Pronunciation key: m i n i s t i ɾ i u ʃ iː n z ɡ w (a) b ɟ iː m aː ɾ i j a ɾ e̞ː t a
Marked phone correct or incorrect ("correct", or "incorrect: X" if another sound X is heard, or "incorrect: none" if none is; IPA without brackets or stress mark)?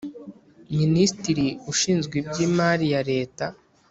incorrect: i